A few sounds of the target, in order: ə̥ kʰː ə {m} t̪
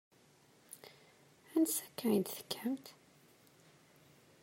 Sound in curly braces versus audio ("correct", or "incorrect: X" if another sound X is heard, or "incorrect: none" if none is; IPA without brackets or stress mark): correct